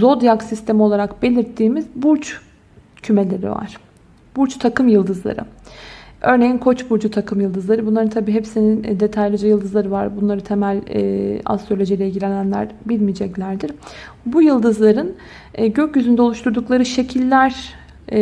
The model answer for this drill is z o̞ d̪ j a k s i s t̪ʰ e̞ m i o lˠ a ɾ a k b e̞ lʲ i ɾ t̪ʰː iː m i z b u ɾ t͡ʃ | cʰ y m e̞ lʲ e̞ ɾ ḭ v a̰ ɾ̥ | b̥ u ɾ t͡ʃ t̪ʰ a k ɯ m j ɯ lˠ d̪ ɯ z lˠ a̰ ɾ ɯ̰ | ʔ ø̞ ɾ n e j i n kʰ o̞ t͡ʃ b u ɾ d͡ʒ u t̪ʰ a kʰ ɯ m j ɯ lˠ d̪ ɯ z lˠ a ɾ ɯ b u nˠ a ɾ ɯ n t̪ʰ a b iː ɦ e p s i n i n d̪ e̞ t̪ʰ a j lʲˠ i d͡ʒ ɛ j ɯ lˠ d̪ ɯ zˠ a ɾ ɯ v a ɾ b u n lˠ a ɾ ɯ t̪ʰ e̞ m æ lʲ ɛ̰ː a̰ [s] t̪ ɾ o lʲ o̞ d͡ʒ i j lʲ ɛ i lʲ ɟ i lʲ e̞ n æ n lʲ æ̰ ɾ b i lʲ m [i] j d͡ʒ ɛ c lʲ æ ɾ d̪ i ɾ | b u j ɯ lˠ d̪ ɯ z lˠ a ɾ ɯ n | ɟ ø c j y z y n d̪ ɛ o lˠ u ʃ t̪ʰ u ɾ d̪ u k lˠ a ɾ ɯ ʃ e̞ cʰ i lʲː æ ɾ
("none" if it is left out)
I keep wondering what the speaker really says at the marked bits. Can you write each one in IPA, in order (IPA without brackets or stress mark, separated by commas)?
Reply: s, i